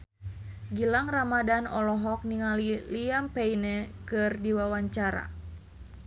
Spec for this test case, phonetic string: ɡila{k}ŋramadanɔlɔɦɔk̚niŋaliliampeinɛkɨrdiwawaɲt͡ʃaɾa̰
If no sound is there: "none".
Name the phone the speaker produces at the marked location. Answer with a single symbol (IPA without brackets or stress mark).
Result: none